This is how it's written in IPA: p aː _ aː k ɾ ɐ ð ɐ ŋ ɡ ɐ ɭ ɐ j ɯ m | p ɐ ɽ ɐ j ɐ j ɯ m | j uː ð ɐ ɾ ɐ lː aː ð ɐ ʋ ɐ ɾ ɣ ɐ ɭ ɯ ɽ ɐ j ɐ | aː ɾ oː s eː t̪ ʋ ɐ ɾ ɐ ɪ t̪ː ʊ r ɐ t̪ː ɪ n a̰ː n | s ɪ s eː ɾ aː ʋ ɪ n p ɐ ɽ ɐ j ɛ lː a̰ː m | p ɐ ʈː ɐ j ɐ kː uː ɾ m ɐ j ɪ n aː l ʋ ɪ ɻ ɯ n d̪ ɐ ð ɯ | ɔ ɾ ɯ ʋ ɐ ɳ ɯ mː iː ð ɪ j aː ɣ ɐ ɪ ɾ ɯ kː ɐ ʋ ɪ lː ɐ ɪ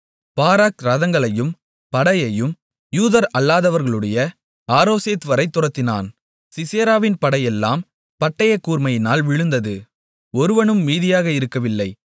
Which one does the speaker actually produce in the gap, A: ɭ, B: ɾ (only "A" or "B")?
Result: B